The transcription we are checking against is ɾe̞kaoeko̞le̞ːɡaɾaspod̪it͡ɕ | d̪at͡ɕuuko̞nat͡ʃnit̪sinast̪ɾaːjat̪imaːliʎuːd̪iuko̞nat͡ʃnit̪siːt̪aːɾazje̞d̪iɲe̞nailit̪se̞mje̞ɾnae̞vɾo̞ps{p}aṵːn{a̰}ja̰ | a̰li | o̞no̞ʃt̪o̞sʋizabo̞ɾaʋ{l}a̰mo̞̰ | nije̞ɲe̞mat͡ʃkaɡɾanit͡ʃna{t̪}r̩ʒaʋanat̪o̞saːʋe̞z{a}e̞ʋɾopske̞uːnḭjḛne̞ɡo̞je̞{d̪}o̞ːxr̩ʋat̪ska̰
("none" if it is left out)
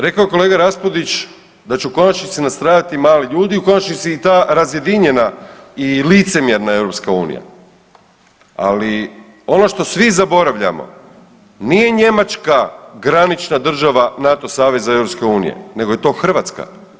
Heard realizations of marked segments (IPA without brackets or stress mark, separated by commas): k, ḭ, ʎ, d̪, a, t̪